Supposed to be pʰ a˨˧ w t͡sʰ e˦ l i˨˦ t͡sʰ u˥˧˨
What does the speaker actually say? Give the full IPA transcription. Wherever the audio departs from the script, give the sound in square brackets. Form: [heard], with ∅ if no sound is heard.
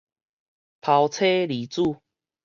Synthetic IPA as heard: pʰ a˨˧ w t͡sʰ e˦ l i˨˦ [t͡s] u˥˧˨